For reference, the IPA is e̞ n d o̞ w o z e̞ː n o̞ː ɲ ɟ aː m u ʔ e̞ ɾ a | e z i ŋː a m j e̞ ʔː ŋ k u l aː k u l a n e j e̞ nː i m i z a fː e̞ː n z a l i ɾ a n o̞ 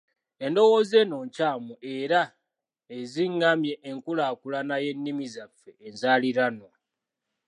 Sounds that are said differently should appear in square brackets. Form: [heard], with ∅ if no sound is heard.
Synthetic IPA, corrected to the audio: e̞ n d o̞ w o z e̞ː n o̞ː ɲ [c] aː m u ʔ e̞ ɾ a | e z i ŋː a m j e̞ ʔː ŋ k u l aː k u l a n [a] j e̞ nː i m i z a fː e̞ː n z a l i ɾ a n o̞